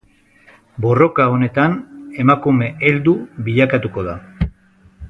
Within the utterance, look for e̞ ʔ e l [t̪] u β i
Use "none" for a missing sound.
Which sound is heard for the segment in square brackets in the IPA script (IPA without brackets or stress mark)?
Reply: d̪